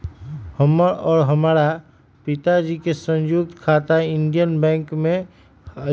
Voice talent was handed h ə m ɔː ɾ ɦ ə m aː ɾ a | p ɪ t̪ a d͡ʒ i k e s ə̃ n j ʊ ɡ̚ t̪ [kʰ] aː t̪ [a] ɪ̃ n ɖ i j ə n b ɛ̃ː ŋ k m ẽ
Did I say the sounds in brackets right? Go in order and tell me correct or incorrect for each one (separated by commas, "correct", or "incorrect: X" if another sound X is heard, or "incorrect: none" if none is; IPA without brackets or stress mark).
correct, correct